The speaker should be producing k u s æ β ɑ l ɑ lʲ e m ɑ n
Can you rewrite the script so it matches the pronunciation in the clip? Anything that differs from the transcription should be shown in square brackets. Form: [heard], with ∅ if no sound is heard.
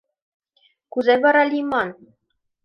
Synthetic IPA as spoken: k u [z] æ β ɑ [ɾ] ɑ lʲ [i] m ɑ n

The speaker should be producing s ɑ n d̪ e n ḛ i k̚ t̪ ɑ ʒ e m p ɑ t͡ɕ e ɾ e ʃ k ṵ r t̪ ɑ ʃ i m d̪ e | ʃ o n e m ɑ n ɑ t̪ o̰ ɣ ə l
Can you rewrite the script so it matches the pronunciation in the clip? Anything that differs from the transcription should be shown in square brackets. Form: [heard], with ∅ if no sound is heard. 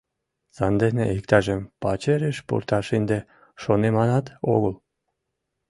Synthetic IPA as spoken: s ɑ n d̪ e n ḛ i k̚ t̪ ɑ ʒ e m p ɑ t͡ɕ e ɾ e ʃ [p] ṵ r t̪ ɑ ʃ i [n] d̪ e | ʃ o n e m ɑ n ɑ t̪ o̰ ɣ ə l

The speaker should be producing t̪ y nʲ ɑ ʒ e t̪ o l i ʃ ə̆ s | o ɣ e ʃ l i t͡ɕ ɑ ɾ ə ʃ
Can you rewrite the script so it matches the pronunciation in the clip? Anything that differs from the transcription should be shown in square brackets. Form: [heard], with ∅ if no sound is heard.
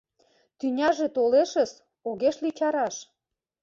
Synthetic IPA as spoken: t̪ y nʲ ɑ ʒ e t̪ o l [e] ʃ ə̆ s | o ɣ e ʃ l i t͡ɕ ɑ ɾ [ɑ] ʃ

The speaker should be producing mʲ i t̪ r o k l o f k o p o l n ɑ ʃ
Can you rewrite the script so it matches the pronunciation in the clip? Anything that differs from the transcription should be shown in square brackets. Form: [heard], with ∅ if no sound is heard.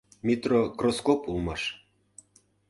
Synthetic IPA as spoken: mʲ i t̪ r o k [r] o [s] k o p [u] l [m] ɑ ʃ

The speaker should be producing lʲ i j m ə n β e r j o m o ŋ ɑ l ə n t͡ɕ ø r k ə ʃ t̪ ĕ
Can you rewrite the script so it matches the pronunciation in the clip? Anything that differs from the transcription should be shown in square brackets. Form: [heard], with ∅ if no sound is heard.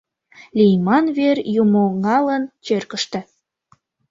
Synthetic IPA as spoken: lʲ i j m [ɑ] n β e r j [u] m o ŋ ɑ l ə n t͡ɕ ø r k ə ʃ t̪ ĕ

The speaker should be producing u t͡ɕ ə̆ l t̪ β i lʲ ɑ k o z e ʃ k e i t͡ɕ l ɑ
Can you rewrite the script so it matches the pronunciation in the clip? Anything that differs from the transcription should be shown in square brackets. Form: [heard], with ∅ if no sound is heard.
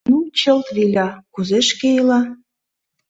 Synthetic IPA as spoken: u t͡ɕ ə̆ l t̪ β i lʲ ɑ k [u] z e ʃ k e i [∅] l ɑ

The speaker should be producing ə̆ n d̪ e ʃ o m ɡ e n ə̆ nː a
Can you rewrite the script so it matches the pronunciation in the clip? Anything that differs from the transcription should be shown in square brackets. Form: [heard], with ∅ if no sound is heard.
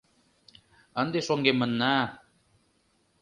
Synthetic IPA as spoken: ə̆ n d̪ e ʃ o [ŋ] ɡ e [m] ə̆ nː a

